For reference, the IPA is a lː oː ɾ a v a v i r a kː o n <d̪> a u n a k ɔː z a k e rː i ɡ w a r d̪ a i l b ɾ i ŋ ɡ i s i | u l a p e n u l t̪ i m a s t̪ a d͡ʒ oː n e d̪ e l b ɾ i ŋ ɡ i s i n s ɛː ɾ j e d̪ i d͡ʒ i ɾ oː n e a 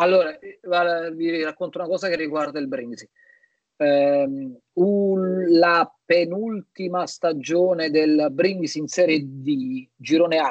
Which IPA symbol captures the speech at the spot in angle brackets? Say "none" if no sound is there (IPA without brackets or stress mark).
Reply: t̪